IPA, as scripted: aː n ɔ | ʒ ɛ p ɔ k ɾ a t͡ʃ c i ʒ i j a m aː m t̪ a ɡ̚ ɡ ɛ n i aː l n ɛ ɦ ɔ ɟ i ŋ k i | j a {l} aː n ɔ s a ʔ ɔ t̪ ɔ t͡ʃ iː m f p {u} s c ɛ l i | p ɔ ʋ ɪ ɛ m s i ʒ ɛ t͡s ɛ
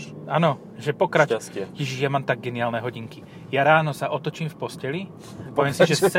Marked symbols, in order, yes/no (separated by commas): no, no